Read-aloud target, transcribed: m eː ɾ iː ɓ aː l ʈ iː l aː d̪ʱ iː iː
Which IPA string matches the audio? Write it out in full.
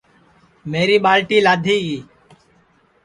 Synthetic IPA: m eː ɾ iː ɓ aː l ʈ iː l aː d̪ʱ iː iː